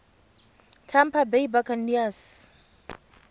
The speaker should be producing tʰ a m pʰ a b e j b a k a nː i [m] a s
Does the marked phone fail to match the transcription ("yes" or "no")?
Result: yes